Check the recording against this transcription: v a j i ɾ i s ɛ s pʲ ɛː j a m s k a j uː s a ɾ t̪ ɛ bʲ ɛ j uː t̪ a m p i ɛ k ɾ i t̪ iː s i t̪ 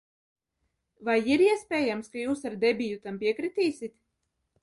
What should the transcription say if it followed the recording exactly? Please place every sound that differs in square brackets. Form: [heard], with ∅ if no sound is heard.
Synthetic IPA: v a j i ɾ i [∅] ɛ s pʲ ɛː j a m s k a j uː s a ɾ [d̪] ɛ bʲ [i] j [u] t̪ a m p i ɛ k ɾ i t̪ iː s i t̪